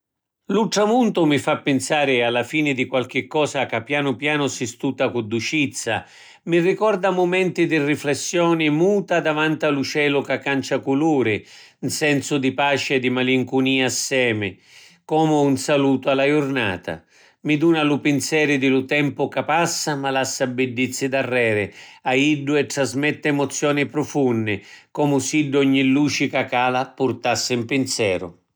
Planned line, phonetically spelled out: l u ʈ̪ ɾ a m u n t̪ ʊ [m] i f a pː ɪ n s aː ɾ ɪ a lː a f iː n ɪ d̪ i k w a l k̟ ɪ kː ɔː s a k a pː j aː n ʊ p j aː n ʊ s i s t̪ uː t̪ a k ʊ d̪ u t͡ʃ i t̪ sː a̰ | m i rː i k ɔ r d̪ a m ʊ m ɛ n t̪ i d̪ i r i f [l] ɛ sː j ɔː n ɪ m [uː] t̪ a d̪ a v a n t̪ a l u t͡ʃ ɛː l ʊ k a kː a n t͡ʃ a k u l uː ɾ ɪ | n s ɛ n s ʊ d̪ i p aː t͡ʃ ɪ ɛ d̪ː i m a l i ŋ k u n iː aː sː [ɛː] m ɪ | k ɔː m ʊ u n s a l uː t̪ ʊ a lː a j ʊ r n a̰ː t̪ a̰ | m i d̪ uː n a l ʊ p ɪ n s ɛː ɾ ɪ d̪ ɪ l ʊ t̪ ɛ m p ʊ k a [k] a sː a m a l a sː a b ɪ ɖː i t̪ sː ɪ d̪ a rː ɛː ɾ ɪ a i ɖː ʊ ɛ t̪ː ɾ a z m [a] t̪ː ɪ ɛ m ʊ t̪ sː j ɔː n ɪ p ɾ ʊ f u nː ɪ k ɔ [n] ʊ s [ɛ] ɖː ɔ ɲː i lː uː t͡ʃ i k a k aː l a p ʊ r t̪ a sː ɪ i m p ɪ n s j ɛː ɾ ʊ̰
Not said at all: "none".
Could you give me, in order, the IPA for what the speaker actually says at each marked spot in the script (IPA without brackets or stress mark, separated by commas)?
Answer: m, l, uː, ɛː, p, ɛ, m, i